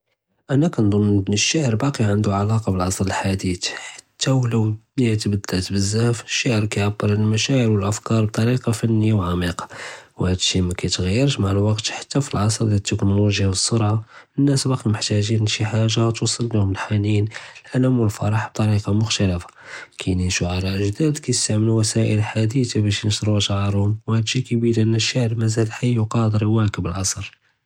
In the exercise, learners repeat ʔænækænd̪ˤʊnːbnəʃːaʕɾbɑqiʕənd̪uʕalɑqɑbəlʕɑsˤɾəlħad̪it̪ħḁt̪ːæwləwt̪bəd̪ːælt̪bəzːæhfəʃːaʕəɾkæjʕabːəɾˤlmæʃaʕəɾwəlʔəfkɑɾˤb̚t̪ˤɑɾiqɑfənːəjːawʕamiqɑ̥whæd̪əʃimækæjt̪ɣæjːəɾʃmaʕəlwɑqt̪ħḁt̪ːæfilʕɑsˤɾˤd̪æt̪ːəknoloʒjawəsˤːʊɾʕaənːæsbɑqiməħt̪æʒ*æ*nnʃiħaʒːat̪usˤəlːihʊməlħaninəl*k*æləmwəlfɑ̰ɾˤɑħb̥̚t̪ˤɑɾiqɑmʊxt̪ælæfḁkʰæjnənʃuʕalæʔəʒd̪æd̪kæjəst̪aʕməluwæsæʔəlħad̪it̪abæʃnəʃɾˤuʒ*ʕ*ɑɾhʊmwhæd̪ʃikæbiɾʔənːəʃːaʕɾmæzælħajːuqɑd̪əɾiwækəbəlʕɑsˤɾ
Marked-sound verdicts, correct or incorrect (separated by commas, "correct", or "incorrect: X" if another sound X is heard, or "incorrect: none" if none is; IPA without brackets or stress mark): incorrect: i, incorrect: ʔ, correct